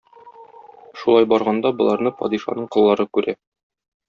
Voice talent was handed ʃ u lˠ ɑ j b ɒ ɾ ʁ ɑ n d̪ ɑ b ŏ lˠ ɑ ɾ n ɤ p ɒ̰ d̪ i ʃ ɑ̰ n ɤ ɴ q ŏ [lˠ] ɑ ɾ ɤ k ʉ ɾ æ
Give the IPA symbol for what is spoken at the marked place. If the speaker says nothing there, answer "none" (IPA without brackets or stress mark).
lˠː